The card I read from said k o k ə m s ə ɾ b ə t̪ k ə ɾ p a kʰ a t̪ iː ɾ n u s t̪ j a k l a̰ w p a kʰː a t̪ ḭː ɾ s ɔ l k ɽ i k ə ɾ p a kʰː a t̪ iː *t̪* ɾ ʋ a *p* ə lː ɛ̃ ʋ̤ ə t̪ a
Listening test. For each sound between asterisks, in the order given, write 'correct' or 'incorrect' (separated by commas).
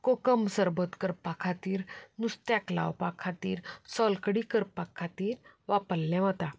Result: incorrect, correct